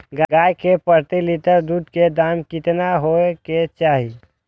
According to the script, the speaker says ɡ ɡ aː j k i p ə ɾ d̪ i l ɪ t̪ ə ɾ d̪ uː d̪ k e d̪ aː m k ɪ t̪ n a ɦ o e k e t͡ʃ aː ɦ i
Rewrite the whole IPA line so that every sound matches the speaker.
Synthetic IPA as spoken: ɡ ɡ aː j k e p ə ɾ t̪ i l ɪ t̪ ə ɾ d̪ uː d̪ k e d̪ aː m k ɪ t̪ n a ɦ o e k e t͡ʃ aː ɦ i